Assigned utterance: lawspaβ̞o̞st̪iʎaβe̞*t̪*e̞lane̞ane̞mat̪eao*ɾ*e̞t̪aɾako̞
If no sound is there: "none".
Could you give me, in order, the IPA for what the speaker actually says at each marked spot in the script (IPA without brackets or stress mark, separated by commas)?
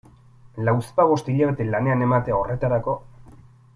t̪, r